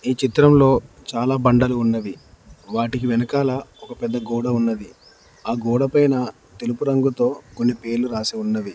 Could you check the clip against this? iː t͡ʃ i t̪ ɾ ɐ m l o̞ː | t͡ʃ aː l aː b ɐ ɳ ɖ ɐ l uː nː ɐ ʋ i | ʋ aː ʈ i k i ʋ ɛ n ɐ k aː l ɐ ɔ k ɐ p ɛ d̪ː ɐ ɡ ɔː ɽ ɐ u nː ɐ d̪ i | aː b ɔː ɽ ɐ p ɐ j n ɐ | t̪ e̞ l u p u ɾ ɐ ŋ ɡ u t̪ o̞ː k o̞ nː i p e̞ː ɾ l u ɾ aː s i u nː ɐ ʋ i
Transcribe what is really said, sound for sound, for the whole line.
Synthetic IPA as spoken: iː t͡ʃ i t̪ ɾ ɐ m l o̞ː | t͡ʃ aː l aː b ɐ ɳ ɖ ɐ l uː nː ɐ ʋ i | ʋ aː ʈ i k i ʋ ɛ n ɐ k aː l ɐ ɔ k ɐ p ɛ d̪ː ɐ ɡ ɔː ɽ ɐ u nː ɐ d̪ i | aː ɡ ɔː ɽ ɐ p ɐ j n ɐ | t̪ e̞ l u p u ɾ ɐ ŋ ɡ u t̪ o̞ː k o̞ nː i p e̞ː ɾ l u ɾ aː s i u nː ɐ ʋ i